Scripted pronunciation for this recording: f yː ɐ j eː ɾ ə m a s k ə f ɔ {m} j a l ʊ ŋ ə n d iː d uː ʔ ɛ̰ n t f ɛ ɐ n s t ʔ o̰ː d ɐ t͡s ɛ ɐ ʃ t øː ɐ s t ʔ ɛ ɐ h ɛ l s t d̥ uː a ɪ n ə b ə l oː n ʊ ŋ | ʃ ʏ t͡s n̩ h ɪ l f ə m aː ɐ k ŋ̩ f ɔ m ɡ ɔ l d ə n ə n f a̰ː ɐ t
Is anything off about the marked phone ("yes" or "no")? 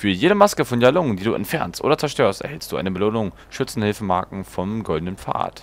yes